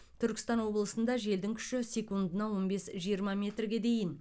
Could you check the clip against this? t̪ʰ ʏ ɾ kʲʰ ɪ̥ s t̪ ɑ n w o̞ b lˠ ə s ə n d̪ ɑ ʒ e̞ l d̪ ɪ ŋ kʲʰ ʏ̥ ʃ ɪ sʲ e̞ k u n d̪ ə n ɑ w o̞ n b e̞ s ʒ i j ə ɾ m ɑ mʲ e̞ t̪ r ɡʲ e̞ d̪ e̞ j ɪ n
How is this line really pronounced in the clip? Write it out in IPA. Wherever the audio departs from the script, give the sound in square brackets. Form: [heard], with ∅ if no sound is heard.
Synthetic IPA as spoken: t̪ʰ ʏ ɾ [kʲ] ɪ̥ s t̪ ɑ n w o̞ b lˠ ə s ə n d̪ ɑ ʒ e̞ l d̪ ɪ ŋ kʲʰ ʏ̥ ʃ ɪ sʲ e̞ k u n d̪ ə n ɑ w o̞ n b e̞ s ʒ i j ə ɾ m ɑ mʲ e̞ t̪ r ɡʲ e̞ d̪ e̞ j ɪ n